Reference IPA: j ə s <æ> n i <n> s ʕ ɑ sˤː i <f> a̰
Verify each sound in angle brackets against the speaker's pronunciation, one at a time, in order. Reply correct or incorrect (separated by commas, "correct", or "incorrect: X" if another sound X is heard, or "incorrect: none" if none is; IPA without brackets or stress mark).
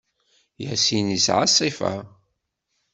incorrect: i, incorrect: none, correct